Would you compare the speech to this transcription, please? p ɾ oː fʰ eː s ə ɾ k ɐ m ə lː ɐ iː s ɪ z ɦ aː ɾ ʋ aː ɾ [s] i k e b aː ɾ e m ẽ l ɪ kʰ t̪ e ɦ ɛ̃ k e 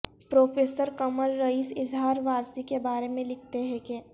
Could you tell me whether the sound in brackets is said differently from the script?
no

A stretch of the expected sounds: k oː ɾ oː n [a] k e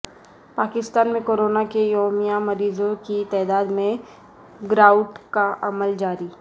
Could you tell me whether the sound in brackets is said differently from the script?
no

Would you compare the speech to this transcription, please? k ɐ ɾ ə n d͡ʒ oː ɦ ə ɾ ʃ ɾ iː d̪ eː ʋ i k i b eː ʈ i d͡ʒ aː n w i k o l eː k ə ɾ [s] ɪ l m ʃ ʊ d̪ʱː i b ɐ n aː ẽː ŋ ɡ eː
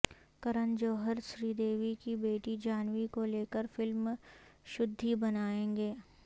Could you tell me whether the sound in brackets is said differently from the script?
yes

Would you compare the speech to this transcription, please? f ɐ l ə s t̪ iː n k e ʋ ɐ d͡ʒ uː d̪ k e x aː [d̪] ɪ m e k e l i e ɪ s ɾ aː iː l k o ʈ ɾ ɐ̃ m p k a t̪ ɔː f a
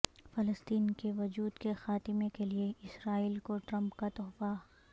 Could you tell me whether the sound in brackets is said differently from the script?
yes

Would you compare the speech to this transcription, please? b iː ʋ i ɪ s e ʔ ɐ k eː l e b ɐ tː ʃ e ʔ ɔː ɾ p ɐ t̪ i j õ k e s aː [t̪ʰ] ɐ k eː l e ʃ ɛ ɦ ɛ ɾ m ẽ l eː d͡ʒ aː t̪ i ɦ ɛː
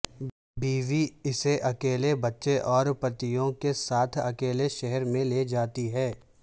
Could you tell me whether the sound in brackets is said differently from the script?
no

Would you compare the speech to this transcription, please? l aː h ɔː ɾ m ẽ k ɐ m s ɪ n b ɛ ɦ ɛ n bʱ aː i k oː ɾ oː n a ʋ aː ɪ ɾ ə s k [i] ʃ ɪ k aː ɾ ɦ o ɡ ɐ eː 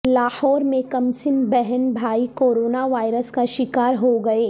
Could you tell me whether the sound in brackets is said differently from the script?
yes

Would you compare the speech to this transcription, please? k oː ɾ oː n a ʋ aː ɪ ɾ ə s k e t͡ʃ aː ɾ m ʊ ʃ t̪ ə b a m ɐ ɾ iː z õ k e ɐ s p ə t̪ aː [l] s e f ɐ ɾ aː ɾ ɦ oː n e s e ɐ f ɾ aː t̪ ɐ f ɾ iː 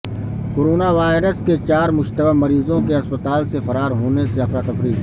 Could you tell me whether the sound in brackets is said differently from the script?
no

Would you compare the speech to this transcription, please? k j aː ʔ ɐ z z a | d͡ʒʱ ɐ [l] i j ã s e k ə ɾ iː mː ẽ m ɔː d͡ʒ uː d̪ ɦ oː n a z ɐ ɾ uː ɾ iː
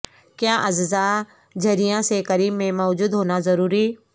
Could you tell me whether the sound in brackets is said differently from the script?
yes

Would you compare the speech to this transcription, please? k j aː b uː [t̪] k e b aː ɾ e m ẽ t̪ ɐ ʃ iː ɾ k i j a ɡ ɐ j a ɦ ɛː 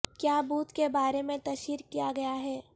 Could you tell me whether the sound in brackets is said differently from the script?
no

